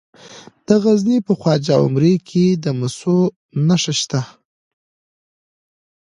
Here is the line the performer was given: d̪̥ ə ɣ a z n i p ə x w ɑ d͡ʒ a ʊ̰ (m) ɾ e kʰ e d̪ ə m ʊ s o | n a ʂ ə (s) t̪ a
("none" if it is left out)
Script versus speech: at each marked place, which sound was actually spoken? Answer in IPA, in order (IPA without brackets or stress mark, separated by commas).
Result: m, ʃ